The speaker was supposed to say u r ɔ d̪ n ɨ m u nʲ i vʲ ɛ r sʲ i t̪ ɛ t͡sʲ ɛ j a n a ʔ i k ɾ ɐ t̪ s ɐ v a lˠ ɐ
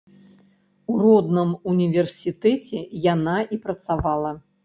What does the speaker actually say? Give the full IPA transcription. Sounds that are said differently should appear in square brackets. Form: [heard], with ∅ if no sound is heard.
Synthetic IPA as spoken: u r ɔ d̪ n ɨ m u nʲ i vʲ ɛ r sʲ i t̪ ɛ t͡sʲ ɛ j a n a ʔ i [p] ɾ ɐ t̪ s [a] v a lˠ ɐ